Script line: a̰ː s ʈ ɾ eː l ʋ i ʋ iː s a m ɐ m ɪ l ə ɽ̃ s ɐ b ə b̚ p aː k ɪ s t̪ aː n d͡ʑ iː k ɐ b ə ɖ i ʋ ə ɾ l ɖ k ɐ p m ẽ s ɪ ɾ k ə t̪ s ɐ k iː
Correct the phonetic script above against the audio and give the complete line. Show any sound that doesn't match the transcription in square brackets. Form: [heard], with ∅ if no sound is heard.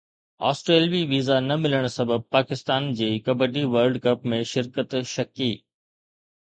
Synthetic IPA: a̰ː s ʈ ɾ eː l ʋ i ʋ iː [z] a [n] ɐ m ɪ l ə ɽ̃ s ɐ b ə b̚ p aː k ɪ s t̪ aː n d͡ʑ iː k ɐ b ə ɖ i ʋ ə ɾ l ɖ k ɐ p m ẽ [ʃ] ɪ ɾ k ə t̪ [ʃ] ɐ k iː

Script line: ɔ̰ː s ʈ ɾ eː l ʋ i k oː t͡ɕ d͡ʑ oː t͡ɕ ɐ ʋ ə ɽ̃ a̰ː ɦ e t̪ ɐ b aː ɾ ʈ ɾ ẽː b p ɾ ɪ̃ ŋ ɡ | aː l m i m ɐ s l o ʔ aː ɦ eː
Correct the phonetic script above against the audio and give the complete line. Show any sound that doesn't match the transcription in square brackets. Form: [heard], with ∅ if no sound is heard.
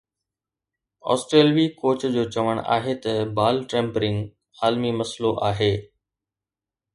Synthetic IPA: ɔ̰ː s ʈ ɾ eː l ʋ i k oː t͡ɕ d͡ʑ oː t͡ɕ ɐ ʋ ə ɽ̃ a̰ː ɦ e t̪ ɐ b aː [l] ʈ ɾ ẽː [m] p ɾ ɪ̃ ŋ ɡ | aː l m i m ɐ s l o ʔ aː ɦ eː

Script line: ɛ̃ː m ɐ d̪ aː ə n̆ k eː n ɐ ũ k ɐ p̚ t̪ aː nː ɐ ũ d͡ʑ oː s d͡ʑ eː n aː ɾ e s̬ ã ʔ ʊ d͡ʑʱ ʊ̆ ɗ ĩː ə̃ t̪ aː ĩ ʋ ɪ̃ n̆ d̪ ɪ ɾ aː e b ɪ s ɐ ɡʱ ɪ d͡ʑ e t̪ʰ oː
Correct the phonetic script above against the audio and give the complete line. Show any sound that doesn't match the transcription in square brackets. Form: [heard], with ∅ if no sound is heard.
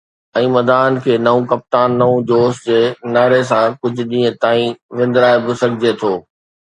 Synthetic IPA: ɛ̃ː m ɐ d̪ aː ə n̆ [kʰ] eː n ɐ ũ k ɐ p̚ t̪ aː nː ɐ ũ d͡ʑ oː s d͡ʑ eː n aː ɾ e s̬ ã [k] ʊ d͡ʑʱ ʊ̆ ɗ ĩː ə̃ t̪ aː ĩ ʋ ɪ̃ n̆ d̪ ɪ ɾ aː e b ɪ s ɐ ɡʱ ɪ d͡ʑ e t̪ʰ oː

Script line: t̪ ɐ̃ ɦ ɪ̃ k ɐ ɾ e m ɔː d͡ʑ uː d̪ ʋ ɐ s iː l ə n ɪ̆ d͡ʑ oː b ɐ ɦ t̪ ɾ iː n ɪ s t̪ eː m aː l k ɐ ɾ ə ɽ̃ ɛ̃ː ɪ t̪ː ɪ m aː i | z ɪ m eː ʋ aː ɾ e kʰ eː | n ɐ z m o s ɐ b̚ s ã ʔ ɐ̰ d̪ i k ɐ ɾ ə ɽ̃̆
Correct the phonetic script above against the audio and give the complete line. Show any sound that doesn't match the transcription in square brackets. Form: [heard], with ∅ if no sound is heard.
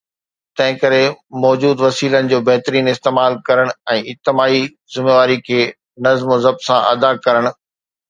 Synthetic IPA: t̪ ɐ̃ ɦ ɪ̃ k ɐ ɾ e m ɔː d͡ʑ uː d̪ ʋ ɐ s iː l ə n ɪ̆ d͡ʑ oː b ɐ ɦ t̪ ɾ iː n ɪ s t̪ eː m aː l k ɐ ɾ ə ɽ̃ ɛ̃ː ɪ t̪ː ɪ m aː i | z ɪ m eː ʋ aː ɾ [i] kʰ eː | n ɐ z m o [z] ɐ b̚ s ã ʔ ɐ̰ d̪ [a] k ɐ ɾ ə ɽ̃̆

